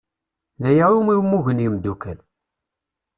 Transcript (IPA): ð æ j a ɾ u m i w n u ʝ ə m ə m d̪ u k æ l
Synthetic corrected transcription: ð æ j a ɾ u m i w m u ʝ ə n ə m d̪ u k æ l